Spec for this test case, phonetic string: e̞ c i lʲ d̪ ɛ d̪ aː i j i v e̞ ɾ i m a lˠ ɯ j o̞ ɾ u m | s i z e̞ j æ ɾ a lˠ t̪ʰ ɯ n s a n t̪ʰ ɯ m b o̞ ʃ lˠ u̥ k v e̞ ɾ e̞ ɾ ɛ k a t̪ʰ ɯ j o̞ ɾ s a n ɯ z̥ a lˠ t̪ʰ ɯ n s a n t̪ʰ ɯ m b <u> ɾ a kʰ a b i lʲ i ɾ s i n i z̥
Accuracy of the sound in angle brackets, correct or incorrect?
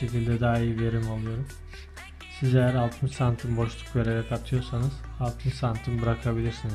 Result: incorrect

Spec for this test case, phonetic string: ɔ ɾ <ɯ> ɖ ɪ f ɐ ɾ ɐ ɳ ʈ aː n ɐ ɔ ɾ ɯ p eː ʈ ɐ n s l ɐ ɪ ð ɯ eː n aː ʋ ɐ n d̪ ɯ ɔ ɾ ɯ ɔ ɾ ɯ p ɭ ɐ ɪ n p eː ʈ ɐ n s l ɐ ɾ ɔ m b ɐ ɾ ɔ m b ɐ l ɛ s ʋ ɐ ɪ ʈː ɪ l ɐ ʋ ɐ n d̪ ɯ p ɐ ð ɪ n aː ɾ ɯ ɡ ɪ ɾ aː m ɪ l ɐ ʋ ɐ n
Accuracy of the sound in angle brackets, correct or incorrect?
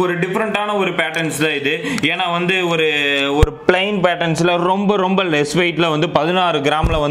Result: correct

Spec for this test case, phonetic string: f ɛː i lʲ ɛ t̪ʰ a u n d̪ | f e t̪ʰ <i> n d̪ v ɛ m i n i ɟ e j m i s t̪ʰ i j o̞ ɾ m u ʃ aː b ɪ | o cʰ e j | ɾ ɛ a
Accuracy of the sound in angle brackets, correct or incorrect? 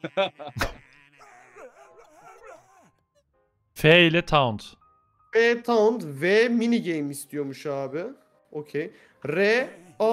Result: incorrect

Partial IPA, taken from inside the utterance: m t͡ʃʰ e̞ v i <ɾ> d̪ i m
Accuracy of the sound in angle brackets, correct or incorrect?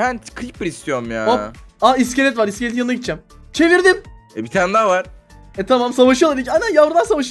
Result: correct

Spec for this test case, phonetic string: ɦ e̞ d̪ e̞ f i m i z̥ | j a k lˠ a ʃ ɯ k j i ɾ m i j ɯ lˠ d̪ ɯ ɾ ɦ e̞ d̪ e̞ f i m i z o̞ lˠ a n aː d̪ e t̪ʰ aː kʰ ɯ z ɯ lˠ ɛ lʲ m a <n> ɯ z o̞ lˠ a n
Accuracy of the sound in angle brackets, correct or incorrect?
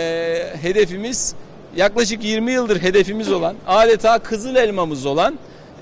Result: incorrect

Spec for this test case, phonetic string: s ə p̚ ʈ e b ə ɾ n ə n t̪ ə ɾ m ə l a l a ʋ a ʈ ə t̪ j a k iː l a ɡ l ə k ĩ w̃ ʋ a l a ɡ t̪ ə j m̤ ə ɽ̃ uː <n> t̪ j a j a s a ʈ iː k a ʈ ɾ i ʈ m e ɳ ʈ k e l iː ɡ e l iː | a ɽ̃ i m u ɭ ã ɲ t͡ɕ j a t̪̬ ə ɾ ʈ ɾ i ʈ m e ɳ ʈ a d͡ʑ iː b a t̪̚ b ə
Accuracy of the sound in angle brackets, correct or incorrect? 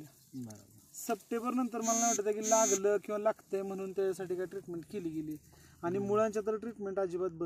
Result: correct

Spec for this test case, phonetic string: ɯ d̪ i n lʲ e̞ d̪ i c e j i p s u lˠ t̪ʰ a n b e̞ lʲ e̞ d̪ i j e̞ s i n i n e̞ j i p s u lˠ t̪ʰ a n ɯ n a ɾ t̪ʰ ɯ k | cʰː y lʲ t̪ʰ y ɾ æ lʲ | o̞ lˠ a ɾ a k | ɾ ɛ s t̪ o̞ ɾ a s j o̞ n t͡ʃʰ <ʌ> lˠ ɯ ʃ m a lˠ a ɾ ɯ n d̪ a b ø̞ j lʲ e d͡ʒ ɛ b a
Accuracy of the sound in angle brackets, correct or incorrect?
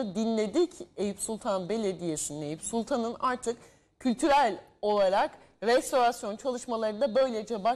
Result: incorrect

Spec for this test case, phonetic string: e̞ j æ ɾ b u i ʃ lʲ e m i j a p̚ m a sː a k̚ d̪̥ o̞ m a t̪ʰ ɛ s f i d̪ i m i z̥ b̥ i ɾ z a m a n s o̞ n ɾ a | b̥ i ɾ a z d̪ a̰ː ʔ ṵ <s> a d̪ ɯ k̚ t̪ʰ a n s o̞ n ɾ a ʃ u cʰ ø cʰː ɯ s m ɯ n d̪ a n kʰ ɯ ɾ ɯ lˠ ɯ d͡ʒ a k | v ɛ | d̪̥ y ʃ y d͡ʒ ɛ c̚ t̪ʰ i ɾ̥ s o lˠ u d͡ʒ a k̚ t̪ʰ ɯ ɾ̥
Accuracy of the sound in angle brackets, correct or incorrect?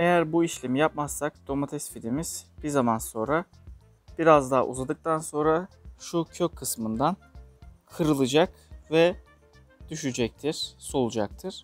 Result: incorrect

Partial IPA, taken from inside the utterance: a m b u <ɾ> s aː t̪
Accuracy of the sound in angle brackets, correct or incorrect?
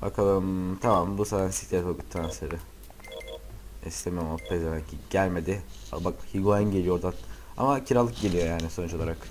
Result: incorrect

